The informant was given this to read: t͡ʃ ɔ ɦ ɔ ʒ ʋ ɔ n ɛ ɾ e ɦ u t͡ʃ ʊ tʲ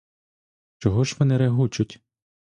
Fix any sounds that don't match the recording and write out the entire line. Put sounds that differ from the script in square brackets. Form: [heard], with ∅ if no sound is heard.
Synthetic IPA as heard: t͡ʃ ɔ ɦ ɔ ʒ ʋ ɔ n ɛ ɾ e ɦ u t͡ʃ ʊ tʲ